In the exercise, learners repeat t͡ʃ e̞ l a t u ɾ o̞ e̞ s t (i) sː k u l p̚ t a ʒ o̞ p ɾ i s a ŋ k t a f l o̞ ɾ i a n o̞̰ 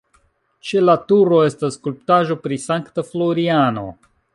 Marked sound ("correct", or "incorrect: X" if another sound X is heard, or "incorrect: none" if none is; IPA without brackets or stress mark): incorrect: a